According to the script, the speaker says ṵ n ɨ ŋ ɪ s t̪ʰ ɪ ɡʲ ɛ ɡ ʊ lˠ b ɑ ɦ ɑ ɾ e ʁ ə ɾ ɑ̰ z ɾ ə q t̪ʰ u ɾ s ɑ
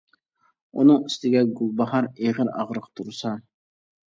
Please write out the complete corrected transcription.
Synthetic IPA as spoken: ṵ n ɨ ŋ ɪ s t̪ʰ ɪ ɡʲ ɛ ɡ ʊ lˠ b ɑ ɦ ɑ ɾ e ʁ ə ɾ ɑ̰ ʁ ɾ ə q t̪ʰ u ɾ s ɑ